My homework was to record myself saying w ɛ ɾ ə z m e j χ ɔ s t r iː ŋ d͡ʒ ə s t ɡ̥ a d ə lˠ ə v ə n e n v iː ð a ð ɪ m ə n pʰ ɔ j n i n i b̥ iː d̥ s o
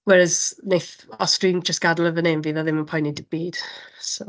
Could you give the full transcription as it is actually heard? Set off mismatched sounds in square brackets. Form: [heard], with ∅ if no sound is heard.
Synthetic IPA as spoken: w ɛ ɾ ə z [n] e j [θ] ɔ s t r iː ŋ d͡ʒ ə s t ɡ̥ a d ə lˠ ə v ə n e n v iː ð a ð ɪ m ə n pʰ ɔ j n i [d] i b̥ iː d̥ s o